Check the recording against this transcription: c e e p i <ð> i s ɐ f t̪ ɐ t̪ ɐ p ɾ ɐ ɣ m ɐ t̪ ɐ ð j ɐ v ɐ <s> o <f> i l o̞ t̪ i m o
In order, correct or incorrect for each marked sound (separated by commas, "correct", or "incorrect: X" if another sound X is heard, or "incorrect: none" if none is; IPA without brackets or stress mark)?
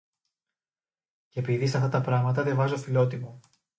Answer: correct, incorrect: z, correct